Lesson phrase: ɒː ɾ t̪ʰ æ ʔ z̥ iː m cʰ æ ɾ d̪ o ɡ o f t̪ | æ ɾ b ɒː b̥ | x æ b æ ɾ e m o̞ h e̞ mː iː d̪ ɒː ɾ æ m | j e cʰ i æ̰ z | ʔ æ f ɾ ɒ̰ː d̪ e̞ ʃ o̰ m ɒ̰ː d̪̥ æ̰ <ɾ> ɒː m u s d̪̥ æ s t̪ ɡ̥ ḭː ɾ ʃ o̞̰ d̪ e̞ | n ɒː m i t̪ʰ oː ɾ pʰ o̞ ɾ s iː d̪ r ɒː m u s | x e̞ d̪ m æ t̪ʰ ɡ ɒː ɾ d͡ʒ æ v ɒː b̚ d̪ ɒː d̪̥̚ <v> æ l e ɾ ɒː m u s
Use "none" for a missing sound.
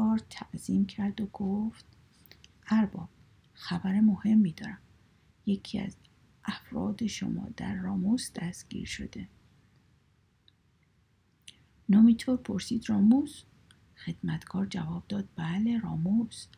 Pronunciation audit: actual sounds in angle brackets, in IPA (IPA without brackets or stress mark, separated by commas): ɾː, b